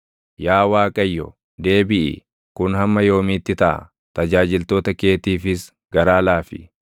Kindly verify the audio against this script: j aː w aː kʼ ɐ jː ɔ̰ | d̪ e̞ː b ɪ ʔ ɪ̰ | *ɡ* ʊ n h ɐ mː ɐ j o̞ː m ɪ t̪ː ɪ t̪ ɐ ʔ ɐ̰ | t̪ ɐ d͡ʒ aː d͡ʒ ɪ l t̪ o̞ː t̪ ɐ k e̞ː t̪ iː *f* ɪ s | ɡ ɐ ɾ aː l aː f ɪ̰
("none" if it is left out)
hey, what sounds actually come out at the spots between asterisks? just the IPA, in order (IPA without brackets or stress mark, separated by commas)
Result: k, f